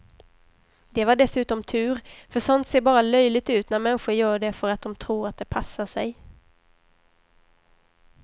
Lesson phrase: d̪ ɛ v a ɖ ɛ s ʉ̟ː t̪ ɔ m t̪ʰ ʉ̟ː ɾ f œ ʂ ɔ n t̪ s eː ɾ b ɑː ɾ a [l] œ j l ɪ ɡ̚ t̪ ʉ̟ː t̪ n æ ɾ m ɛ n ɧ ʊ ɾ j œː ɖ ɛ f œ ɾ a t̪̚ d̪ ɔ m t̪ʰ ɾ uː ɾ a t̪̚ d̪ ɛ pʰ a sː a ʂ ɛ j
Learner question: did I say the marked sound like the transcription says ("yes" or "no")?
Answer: yes